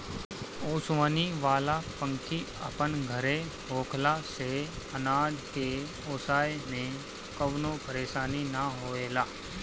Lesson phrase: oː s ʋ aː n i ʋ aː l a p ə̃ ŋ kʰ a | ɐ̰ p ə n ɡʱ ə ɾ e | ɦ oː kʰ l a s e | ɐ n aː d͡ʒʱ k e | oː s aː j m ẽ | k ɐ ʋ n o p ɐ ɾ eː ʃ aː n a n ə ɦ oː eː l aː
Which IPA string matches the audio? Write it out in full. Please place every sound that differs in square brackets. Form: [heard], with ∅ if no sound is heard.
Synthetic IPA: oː s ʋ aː n i ʋ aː l a p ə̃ ŋ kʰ [i] | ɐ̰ p ə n ɡʱ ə ɾ e | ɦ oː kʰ l a s e | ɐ n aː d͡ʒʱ k e | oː s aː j m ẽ | k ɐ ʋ n o p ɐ ɾ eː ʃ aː n [i] n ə ɦ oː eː l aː